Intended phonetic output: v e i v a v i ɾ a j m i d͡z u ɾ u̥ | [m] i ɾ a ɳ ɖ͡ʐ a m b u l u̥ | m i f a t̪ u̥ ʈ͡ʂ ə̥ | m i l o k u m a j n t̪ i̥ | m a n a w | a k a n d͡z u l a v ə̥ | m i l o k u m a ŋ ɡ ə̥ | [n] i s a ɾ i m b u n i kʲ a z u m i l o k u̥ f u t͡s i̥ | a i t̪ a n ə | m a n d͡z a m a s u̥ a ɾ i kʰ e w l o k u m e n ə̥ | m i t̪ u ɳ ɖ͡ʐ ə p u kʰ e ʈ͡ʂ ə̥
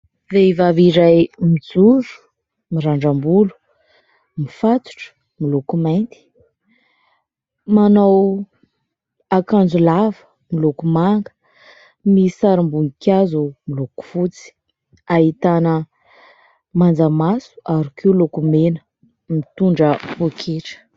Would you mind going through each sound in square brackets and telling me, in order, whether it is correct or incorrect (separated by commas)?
correct, incorrect